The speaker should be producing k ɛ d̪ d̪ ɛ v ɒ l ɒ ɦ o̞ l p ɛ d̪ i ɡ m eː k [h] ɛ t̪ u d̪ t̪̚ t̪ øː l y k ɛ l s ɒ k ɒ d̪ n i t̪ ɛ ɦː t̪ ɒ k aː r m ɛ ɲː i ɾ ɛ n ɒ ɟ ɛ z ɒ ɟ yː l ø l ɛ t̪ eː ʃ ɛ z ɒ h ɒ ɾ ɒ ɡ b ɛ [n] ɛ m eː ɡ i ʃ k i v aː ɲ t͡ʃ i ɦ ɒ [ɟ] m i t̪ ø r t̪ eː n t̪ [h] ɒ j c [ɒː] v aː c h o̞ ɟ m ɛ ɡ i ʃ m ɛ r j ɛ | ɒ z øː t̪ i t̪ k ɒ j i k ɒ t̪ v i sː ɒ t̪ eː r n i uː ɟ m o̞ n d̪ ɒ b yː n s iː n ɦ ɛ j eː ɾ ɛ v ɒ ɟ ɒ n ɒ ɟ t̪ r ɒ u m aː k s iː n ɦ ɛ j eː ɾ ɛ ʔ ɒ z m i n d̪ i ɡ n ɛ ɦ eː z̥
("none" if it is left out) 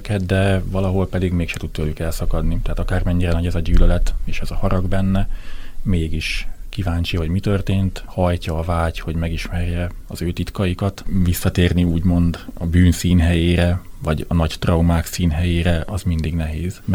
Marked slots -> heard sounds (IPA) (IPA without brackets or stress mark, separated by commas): ʃ, nː, ɟ, h, ɒː